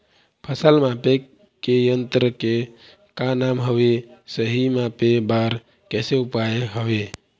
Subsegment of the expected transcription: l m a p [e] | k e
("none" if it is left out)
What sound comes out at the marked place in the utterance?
e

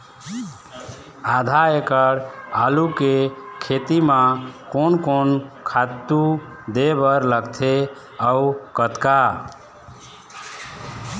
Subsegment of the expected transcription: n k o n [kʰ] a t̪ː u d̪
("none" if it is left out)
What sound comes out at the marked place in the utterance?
kʰ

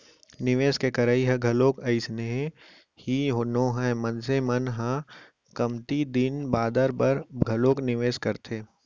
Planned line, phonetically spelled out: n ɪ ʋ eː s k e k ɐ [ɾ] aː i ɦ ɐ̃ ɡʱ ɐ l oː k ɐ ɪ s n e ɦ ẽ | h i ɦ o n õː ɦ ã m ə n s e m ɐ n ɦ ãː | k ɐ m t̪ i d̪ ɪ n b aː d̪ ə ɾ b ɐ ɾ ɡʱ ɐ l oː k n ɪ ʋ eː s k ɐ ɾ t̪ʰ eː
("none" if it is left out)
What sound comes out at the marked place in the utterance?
ɾ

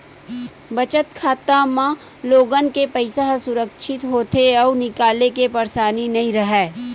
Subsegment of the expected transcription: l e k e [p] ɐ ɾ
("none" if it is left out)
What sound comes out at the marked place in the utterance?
p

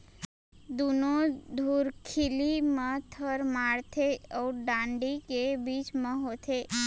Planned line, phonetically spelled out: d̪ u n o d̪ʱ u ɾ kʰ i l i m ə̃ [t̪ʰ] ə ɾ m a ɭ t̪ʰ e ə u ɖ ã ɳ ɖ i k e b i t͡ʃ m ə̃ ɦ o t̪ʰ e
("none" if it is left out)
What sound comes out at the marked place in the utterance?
t̪ʰ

